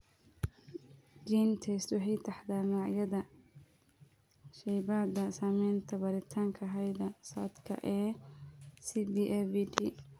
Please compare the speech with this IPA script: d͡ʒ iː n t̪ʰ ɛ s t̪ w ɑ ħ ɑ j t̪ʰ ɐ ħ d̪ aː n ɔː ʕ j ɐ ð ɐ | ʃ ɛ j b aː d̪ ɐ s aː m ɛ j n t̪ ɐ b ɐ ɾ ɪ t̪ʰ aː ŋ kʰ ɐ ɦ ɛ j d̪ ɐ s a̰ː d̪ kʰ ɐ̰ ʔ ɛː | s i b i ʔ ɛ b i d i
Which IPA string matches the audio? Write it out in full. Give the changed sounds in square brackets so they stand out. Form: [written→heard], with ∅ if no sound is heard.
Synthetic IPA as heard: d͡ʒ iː n t̪ʰ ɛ s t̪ w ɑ ħ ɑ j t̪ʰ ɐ ħ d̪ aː n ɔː ʕ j ɐ ð ɐ | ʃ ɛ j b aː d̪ ɐ s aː m ɛ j n [t̪→t̪ʰ] ɐ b ɐ ɾ ɪ t̪ʰ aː ŋ kʰ ɐ ɦ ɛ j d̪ ɐ s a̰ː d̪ kʰ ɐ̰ ʔ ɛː | s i b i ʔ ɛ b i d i